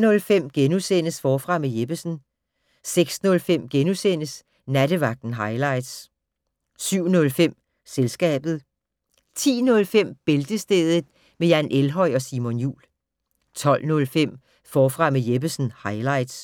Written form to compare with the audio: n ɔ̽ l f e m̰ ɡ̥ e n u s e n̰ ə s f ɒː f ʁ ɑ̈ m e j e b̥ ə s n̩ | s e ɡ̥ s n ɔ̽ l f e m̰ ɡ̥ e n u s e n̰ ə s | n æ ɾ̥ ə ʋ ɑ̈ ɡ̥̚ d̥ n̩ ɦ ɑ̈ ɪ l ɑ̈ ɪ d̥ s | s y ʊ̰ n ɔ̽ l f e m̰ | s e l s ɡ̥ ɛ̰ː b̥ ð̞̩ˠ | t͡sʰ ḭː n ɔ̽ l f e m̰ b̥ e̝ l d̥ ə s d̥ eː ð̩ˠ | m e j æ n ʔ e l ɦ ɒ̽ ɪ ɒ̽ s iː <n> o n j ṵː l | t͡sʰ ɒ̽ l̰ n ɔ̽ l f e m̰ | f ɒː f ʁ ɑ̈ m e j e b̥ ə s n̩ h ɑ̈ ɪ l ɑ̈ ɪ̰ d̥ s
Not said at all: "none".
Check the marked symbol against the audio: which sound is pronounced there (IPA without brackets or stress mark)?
m